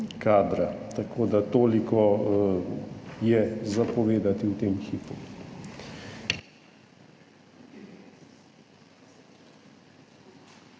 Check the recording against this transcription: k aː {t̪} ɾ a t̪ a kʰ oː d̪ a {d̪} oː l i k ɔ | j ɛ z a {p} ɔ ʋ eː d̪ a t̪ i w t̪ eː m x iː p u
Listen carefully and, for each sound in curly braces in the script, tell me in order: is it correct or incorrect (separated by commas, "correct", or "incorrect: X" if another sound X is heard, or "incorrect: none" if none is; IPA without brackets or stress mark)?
incorrect: d̪, incorrect: t̪, correct